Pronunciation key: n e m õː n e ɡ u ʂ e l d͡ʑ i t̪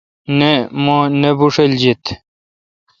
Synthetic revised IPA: n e m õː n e b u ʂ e l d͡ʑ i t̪